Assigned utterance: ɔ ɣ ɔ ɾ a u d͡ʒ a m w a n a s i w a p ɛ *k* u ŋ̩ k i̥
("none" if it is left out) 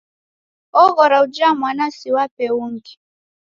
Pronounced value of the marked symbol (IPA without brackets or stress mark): none